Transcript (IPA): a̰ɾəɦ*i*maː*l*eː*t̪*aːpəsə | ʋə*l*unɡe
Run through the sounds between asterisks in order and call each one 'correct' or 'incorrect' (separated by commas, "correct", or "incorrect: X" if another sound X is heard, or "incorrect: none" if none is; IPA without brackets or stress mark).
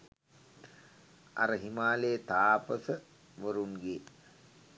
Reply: correct, correct, correct, incorrect: ɾ